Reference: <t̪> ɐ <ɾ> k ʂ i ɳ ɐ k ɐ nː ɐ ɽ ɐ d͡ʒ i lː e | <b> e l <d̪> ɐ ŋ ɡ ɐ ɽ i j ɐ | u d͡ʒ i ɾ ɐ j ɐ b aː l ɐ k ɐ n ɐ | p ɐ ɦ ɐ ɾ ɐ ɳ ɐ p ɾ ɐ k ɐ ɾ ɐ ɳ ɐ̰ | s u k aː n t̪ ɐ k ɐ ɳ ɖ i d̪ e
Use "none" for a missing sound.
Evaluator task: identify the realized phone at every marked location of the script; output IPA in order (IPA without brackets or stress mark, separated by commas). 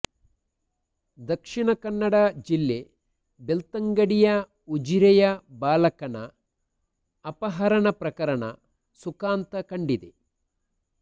d̪, none, b, t̪